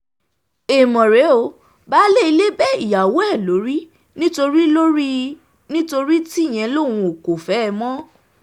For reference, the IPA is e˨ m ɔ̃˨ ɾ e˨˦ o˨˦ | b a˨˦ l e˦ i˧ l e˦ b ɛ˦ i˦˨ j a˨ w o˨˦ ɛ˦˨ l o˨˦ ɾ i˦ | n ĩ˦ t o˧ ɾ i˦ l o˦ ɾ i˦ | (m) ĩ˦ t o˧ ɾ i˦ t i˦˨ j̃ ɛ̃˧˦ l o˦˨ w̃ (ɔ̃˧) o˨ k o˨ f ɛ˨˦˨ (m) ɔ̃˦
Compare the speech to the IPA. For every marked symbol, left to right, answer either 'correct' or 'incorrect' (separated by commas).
incorrect, incorrect, correct